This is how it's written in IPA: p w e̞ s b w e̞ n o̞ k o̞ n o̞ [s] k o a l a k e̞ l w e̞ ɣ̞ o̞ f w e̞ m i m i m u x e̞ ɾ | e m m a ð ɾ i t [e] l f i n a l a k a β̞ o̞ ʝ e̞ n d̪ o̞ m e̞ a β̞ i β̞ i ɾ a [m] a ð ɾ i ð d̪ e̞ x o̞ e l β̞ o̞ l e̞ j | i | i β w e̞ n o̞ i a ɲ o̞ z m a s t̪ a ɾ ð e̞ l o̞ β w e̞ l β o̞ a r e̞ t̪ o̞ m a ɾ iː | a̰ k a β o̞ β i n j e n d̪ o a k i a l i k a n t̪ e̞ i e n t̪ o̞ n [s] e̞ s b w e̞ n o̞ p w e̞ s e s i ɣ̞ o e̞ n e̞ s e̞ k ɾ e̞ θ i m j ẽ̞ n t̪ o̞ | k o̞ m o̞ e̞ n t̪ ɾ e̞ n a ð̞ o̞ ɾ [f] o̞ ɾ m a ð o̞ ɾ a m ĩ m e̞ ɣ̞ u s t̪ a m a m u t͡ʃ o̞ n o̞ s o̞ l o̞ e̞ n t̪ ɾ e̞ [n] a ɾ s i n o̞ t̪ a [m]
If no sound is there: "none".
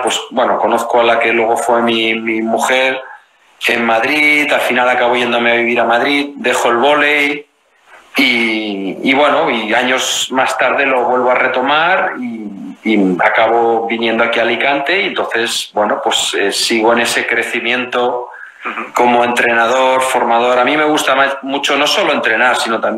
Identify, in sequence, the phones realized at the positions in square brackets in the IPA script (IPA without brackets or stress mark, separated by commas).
θ, a, m, θ, f, n, m